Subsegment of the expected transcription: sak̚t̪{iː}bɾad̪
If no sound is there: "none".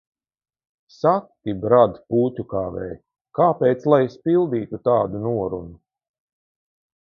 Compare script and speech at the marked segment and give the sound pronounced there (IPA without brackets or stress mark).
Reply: i